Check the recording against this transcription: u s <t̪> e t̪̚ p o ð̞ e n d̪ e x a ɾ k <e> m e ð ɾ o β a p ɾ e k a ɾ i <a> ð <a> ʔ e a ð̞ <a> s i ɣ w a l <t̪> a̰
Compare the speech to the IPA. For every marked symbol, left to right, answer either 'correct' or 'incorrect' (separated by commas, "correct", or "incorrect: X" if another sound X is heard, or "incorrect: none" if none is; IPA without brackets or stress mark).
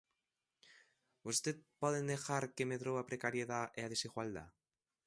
correct, correct, incorrect: e, correct, incorrect: e, incorrect: d̪